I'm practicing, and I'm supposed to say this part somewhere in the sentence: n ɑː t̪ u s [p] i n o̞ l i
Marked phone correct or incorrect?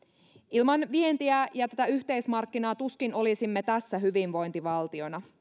incorrect: k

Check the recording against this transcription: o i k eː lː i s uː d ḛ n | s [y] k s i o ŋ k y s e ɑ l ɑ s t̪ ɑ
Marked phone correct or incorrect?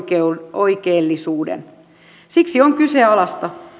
incorrect: i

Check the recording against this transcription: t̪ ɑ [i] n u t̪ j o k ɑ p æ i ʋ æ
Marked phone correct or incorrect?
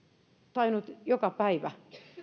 correct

